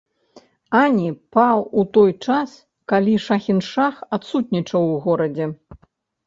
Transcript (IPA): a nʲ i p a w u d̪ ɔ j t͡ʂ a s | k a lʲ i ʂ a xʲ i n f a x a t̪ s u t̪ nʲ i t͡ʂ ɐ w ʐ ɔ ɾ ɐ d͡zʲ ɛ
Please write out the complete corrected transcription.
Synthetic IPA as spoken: a nʲ i p a w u t̪ ɔ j t͡ʂ a s | k a lʲ i ʂ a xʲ i n ʂ a x a t̪ s u t̪ nʲ i t͡ʂ ɐ w ɣ ɔ ɾ ɐ d͡zʲ ɛ